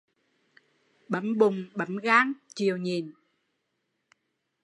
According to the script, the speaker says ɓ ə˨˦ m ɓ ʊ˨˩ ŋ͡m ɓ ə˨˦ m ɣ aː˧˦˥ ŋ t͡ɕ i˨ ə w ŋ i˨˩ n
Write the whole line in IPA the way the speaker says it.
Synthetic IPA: ɓ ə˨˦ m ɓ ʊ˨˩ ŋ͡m ɓ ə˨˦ m ɣ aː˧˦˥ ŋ t͡ɕ i˨ ə w ɲ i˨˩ n